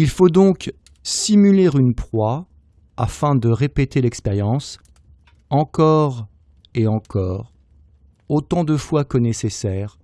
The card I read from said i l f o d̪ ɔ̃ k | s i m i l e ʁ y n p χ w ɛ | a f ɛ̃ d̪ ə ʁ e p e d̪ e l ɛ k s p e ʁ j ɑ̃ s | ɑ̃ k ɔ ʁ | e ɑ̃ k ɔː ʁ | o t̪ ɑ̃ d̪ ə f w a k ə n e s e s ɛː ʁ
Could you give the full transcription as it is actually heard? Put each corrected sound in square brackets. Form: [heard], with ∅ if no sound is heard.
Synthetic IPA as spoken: i l f o d̪ ɔ̃ k | s i m [y] l e ʁ y n p χ w [a] | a f ɛ̃ d̪ ə ʁ e p e [t̪] e l ɛ k s p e ʁ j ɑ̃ s | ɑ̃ k ɔ ʁ | e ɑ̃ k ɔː ʁ | o t̪ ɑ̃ d̪ ə f w a k ə n e s e s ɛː ʁ